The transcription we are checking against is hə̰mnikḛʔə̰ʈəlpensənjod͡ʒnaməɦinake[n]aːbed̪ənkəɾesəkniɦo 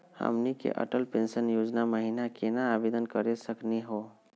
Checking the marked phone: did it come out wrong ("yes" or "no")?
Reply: no